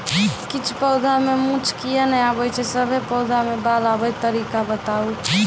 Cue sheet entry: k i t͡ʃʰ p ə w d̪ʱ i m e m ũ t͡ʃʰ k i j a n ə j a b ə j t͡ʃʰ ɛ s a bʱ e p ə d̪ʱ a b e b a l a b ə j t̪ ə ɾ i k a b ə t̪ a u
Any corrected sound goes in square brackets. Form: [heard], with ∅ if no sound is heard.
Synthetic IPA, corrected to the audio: k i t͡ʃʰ p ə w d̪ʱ [a] m e m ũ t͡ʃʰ k i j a n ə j a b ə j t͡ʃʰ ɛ s [ə] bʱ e p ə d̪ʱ a [m] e b a l a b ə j t̪ ə ɾ i k a b ə t̪ a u